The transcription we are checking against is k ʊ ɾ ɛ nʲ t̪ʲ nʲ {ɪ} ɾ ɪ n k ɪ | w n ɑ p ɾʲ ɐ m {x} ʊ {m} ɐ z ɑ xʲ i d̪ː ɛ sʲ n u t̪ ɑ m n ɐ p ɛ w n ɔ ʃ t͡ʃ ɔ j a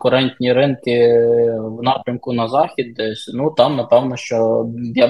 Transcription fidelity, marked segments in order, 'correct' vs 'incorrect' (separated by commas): incorrect, incorrect, incorrect